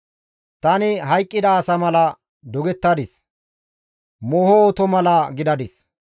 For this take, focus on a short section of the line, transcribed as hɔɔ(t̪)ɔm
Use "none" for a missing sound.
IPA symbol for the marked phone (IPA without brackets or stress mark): t̪